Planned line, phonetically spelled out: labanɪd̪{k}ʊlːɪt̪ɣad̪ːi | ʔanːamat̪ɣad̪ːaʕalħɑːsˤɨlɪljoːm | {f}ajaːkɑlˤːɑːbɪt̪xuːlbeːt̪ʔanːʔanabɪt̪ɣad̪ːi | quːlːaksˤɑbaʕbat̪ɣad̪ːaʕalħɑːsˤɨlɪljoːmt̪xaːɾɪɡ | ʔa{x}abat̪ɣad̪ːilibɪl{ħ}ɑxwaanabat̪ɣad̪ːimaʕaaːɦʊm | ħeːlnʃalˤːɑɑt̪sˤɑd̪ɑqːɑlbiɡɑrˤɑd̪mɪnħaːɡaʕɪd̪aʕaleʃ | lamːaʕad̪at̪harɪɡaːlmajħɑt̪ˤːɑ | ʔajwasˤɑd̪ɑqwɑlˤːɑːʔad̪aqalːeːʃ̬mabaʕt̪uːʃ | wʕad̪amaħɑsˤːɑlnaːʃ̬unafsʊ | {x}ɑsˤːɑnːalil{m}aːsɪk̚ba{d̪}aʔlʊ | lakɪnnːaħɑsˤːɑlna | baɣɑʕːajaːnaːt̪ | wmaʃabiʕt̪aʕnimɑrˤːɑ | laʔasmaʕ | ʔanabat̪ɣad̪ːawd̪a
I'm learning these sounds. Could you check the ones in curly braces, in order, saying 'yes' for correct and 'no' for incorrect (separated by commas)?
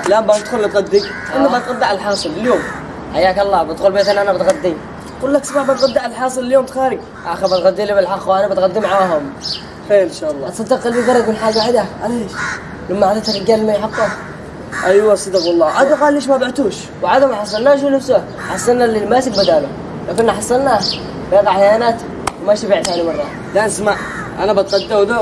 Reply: no, no, yes, yes, no, yes, yes